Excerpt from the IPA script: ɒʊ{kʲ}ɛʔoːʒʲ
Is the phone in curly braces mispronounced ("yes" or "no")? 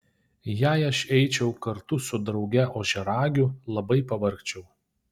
yes